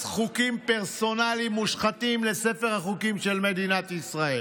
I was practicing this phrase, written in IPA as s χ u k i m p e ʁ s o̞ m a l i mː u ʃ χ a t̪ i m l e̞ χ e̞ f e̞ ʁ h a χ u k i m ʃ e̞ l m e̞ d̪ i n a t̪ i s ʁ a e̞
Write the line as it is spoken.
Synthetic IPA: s χ u k i m p e ʁ s o̞ n a l i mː u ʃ χ a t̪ i m l e̞ s e̞ f e̞ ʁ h a χ u k i m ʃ e̞ l m e̞ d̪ i n a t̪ i s ʁ a e̞